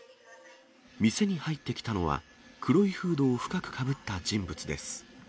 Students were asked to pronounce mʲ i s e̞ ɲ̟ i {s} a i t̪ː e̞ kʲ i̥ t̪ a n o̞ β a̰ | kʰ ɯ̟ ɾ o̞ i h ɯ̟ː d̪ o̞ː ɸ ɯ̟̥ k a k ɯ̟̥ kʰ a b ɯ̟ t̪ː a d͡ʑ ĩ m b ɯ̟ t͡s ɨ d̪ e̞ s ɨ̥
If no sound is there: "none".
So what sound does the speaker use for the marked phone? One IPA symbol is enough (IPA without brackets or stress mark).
h